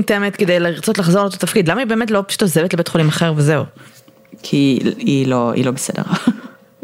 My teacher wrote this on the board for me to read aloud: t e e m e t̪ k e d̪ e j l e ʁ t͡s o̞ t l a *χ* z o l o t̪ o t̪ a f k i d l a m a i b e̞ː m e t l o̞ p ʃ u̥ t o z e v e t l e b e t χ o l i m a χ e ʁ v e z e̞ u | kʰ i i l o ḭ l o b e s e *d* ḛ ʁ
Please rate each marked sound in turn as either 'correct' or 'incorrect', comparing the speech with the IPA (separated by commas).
correct, correct